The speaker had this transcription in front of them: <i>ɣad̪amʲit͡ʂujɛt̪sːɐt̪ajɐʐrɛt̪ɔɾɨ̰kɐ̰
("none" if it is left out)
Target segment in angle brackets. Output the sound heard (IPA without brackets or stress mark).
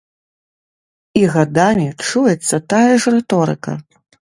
i